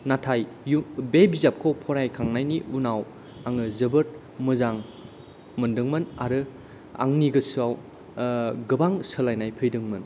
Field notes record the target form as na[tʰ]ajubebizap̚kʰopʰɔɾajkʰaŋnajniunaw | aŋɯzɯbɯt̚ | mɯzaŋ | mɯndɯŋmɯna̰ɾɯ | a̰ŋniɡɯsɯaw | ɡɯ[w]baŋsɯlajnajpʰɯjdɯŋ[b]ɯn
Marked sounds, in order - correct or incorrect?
correct, incorrect: none, incorrect: m

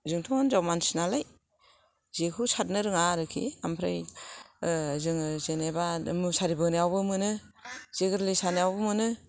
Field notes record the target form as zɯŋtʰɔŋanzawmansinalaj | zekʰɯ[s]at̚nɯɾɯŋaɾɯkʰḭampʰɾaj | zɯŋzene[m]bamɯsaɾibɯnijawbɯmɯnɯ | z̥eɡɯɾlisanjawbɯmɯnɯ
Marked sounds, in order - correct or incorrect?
correct, incorrect: none

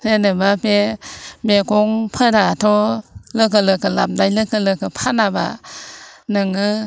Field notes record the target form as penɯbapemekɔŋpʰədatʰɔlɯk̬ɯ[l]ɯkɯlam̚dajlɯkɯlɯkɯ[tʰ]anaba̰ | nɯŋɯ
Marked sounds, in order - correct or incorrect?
correct, incorrect: pʰ

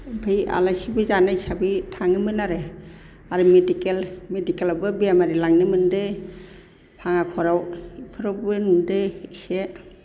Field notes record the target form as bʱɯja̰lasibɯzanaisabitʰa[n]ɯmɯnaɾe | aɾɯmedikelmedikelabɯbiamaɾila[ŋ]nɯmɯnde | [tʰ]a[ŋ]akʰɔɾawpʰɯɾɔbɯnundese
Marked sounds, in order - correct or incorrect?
incorrect: ŋ, correct, incorrect: pʰ, correct

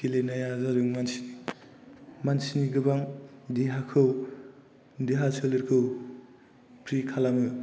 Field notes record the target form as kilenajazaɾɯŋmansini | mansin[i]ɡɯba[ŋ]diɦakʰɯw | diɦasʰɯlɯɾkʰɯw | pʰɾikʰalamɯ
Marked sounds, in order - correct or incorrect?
correct, correct

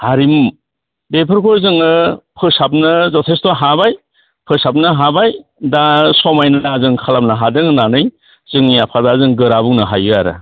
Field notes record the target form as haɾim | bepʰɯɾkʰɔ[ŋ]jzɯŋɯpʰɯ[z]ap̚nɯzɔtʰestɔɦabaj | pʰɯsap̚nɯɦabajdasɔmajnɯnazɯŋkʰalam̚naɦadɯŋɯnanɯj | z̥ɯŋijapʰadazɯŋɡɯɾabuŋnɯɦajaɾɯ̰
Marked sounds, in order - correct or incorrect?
incorrect: none, incorrect: s

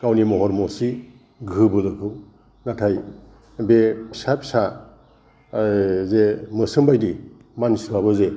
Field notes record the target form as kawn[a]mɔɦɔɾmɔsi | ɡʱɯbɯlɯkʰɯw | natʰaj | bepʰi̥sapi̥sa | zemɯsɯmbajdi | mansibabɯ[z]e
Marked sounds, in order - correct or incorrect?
incorrect: i, correct

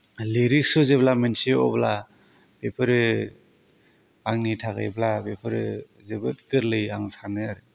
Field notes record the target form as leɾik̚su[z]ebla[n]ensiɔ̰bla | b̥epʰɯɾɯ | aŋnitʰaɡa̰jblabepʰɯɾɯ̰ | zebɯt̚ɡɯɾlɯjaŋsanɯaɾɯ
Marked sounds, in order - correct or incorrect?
correct, incorrect: m

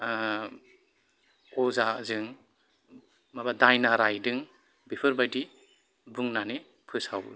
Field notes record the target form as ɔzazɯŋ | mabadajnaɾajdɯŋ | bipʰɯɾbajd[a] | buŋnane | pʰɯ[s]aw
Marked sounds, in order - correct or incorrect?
incorrect: i, correct

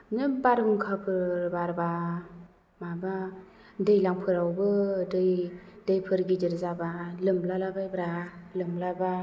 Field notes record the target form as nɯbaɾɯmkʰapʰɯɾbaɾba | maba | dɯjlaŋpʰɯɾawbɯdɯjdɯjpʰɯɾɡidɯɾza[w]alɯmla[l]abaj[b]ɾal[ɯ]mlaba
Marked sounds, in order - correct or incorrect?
incorrect: b, correct, correct, correct

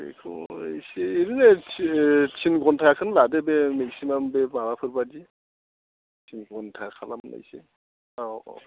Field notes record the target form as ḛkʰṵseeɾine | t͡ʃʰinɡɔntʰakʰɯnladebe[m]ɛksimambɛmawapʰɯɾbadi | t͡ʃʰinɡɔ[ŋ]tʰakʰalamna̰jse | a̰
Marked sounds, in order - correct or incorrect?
correct, incorrect: n

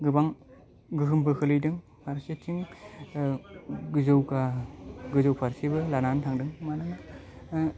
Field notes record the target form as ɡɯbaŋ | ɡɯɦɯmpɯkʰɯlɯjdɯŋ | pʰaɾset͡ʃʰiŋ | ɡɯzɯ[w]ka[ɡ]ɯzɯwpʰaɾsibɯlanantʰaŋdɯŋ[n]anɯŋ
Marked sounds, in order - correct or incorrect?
correct, correct, incorrect: m

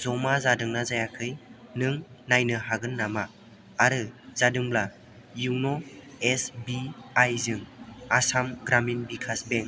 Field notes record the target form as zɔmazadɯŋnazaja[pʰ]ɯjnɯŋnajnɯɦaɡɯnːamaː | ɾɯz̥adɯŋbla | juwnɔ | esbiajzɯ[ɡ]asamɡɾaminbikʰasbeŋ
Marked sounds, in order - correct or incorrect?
incorrect: kʰ, incorrect: ŋ

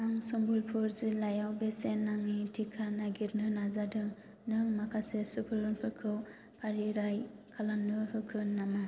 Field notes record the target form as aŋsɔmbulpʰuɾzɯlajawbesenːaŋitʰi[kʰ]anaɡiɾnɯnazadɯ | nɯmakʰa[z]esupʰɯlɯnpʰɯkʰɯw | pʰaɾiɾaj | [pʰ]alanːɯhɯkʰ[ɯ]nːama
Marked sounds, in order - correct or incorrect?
correct, incorrect: s, incorrect: kʰ, correct

